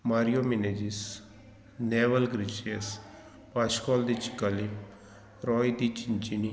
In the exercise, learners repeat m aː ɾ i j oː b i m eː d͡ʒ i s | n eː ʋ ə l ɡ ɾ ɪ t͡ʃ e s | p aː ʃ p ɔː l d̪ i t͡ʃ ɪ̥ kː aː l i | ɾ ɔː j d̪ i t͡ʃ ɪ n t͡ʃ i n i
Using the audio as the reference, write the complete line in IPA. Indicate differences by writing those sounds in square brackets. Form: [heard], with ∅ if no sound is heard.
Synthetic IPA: m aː ɾ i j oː [m] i [n] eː d͡ʒ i s | n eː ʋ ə l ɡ ɾ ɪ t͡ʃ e s | p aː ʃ [k] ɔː l d̪ i t͡ʃ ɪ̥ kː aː l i | ɾ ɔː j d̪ i t͡ʃ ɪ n t͡ʃ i n i